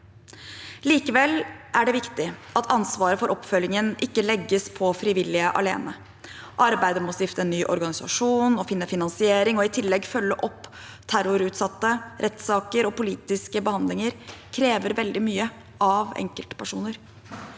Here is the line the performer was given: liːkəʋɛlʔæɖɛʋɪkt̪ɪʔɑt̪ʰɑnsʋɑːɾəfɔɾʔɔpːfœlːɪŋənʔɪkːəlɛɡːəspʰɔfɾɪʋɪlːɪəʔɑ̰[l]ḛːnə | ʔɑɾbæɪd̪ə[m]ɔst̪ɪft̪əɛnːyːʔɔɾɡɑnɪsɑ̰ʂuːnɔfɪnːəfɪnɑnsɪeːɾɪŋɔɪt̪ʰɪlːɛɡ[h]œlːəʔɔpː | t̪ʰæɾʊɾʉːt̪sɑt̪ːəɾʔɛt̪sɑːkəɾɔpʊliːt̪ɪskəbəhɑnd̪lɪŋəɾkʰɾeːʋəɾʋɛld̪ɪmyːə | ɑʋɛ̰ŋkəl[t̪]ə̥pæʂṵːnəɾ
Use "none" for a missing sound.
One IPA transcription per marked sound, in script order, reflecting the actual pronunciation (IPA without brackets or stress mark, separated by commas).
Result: l, m, f, t̪